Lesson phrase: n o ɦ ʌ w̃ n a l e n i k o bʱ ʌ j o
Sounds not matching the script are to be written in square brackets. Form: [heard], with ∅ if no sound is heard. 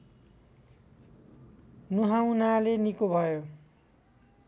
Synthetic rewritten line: n [u] ɦ [a] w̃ n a l e n i k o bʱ ʌ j o